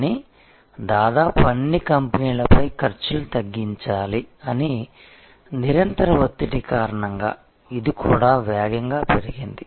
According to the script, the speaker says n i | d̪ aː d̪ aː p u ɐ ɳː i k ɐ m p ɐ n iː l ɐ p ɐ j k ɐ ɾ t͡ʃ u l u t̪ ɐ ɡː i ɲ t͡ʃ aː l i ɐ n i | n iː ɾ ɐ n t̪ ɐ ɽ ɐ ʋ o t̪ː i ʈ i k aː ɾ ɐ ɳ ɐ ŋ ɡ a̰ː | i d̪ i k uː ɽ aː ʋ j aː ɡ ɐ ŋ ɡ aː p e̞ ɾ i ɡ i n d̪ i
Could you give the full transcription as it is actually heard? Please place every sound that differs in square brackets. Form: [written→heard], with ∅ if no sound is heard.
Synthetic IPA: n i | d̪ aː d̪ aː p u ɐ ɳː i k ɐ m p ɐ n iː l ɐ p ɐ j k ɐ ɾ t͡ʃ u l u t̪ ɐ ɡː i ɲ t͡ʃ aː l i ɐ n i | n [iː→i] ɾ ɐ n t̪ ɐ [ɽ→ɾ] ɐ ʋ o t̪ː i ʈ i k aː ɾ ɐ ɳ ɐ ŋ ɡ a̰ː | i d̪ i k uː ɽ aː ʋ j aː ɡ ɐ ŋ ɡ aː p e̞ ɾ i ɡ i n d̪ i